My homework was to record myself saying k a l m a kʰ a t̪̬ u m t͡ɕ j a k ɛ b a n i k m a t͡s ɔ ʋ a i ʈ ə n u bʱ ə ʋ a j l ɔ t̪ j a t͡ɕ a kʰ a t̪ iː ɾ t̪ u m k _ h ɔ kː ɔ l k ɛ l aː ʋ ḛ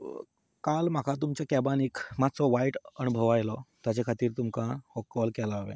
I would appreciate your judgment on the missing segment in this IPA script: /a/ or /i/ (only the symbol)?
a